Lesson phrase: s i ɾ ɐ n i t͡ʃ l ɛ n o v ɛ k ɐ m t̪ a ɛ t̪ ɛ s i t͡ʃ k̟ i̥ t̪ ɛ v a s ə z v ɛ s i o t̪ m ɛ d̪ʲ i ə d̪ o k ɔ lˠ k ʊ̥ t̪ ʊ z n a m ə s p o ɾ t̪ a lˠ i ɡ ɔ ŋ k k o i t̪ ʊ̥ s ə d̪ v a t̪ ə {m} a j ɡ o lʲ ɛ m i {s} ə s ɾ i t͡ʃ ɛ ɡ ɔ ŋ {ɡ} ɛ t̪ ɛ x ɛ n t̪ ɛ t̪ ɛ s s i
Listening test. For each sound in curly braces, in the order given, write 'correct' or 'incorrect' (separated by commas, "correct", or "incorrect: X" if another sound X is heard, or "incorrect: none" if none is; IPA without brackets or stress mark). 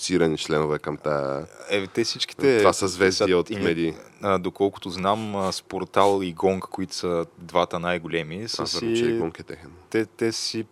incorrect: n, correct, incorrect: k